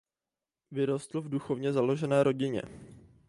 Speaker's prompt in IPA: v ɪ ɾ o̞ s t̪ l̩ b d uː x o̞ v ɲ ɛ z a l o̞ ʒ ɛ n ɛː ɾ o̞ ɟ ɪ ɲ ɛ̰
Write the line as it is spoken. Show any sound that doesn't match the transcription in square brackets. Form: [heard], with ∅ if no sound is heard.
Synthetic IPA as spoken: v ɪ ɾ o̞ s t̪ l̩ [v] d [u] x o̞ v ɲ ɛ z a l o̞ ʒ ɛ n ɛː ɾ o̞ ɟ ɪ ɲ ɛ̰

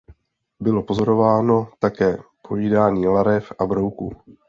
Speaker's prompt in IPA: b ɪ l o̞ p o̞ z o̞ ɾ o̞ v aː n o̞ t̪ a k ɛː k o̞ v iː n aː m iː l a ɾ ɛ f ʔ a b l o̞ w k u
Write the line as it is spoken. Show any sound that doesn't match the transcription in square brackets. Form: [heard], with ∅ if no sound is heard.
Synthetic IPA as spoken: b ɪ l o̞ p o̞ z o̞ ɾ o̞ v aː n o̞ t̪ a k ɛː [p] o̞ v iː [d] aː [ɲ] iː l a ɾ ɛ f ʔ a b [ɾ] o̞ w k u

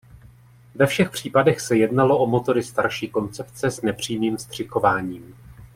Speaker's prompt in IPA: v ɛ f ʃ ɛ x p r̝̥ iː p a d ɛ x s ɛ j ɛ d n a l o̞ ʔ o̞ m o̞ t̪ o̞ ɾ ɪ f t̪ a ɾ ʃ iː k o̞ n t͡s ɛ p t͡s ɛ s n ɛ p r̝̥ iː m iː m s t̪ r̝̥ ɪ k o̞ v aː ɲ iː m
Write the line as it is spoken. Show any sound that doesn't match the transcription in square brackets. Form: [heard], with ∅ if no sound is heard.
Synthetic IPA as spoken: v ɛ f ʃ ɛ x p r̝̥ iː p a d ɛ x s ɛ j ɛ d n a l o̞ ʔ o̞ m o̞ t̪ o̞ ɾ ɪ [s] t̪ a ɾ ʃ iː k o̞ n t͡s ɛ p t͡s ɛ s n ɛ p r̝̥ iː m iː m s t̪ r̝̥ ɪ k o̞ v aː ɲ iː m

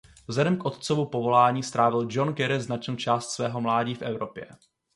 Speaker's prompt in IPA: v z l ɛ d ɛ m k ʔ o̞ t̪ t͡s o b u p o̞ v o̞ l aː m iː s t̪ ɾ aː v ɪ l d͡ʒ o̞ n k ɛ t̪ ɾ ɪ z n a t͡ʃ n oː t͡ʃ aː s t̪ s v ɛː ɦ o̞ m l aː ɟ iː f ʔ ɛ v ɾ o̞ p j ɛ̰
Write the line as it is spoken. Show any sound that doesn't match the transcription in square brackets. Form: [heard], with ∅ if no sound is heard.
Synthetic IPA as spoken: v z l ɛ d ɛ m k ʔ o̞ t̪ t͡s o [v] u p o̞ v o̞ l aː [ɲ] iː s t̪ ɾ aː v ɪ l d͡ʒ o̞ n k ɛ [∅] ɾ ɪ z n a t͡ʃ n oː t͡ʃ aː s t̪ s v ɛː ɦ o̞ m l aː ɟ iː f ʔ ɛ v ɾ o̞ p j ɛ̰

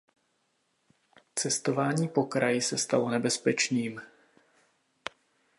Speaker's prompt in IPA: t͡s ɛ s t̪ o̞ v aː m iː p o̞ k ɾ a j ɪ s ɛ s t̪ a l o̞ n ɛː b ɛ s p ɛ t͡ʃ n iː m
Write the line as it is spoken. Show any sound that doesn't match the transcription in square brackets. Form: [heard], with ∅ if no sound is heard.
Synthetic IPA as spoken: t͡s ɛ s t̪ o̞ v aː [ɲ] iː p o̞ k ɾ a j ɪ s ɛ s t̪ a l o̞ n [ɛ] b ɛ s p ɛ t͡ʃ n iː m

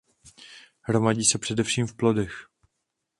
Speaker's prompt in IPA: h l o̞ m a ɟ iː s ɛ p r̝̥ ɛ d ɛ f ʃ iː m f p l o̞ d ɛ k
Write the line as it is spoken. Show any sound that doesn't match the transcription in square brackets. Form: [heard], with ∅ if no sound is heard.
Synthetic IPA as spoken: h [ɾ] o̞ m a ɟ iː s ɛ p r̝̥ ɛ d ɛ f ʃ iː m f p l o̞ d ɛ [x]

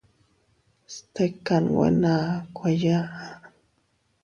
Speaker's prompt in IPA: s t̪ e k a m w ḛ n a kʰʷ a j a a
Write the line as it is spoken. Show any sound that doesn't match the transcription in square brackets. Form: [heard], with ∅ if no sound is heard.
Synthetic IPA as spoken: s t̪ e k a [n] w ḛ n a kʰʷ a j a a

